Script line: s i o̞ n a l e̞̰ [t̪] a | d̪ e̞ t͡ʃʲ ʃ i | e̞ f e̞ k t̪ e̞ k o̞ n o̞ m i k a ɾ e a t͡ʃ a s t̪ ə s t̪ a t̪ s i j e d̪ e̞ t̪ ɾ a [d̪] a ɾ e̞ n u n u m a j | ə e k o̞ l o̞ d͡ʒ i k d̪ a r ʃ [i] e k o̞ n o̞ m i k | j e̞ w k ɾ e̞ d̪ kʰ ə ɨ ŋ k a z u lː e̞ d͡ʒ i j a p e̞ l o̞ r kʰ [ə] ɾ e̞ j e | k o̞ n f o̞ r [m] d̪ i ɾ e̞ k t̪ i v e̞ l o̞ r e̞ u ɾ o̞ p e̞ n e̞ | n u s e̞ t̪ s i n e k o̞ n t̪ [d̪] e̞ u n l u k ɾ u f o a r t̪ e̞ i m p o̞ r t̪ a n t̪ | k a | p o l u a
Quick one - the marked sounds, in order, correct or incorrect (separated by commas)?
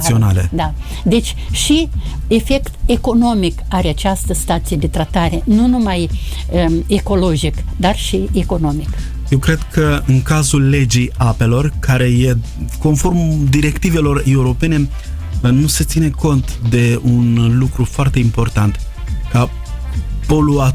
incorrect, incorrect, correct, incorrect, correct, correct